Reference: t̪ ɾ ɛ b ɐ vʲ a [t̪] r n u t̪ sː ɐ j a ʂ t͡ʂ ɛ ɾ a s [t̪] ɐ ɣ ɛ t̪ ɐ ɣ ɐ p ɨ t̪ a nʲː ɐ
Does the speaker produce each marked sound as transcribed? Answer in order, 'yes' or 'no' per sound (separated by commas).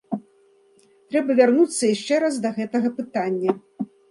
no, no